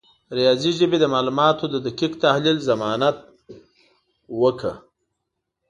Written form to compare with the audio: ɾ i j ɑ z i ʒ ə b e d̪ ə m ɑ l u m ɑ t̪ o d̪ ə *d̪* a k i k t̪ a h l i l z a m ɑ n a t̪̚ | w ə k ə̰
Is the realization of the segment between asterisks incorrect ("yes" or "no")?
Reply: no